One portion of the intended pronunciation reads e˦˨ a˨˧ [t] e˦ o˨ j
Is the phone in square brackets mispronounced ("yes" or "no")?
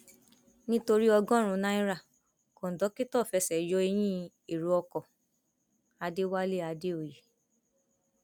yes